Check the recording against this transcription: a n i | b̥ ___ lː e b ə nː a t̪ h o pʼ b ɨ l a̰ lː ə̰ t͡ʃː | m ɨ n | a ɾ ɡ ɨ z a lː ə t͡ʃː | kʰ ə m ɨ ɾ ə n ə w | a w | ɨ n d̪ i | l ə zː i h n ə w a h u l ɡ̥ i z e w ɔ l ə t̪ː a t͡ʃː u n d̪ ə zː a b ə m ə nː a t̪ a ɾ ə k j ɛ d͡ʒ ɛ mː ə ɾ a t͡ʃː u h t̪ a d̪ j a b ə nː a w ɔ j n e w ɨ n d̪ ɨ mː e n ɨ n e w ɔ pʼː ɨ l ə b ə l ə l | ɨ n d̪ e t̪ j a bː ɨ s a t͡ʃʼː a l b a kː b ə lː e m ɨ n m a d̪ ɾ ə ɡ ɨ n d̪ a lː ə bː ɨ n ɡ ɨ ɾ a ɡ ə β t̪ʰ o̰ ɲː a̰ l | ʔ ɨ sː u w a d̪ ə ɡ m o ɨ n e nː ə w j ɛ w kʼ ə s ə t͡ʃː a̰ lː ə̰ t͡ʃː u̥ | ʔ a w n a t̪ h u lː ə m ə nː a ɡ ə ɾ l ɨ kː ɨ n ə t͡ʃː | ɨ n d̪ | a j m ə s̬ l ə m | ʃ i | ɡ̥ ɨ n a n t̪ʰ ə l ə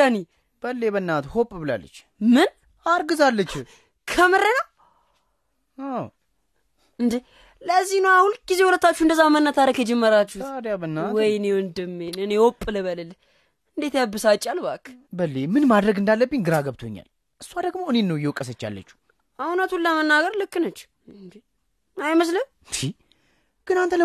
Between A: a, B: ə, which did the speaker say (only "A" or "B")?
B